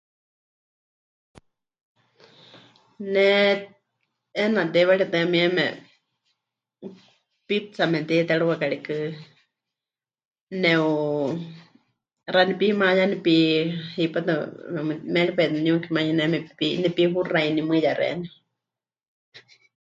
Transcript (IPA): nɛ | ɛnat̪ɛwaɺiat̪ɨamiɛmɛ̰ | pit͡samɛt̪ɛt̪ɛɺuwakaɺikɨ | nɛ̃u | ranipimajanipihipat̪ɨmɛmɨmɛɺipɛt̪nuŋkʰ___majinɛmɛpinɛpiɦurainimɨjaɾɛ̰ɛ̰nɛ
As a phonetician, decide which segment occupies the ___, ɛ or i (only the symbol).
i